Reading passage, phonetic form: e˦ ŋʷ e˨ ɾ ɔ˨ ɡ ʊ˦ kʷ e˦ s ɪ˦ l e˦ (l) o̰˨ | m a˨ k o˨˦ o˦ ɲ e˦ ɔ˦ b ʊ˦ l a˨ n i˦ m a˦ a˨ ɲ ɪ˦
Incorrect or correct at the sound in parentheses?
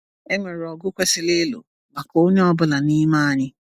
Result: correct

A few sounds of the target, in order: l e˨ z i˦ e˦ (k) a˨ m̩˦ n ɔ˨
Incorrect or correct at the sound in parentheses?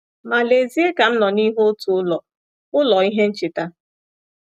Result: correct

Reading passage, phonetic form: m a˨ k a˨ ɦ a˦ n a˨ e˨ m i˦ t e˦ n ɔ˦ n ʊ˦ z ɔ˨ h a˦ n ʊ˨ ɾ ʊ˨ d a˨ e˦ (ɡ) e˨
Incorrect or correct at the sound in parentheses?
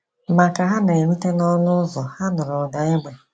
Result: incorrect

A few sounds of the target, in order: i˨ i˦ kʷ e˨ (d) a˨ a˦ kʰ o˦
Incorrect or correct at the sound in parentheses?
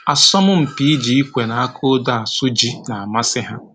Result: incorrect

